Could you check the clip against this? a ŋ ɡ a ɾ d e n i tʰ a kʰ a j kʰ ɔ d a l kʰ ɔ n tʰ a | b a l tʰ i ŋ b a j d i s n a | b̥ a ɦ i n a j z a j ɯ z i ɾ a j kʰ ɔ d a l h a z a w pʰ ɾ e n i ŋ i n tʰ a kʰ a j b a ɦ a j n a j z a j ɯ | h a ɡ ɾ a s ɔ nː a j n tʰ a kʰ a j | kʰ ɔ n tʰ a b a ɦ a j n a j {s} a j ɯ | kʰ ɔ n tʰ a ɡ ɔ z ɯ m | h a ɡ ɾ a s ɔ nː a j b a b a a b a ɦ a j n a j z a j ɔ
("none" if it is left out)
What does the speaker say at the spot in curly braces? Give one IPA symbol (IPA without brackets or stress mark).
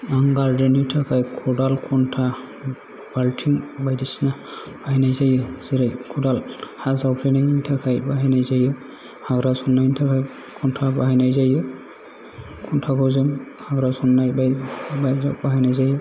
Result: z